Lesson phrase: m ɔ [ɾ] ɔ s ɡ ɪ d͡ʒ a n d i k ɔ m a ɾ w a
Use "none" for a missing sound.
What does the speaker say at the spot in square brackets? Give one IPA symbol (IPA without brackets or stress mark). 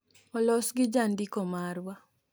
l